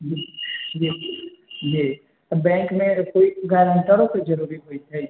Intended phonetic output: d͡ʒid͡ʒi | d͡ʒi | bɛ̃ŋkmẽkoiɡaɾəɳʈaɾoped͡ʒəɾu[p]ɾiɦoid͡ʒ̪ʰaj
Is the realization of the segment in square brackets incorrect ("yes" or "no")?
yes